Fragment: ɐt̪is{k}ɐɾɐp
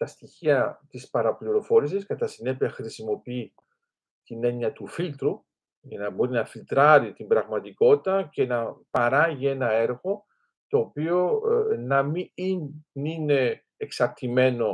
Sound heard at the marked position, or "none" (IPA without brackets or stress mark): p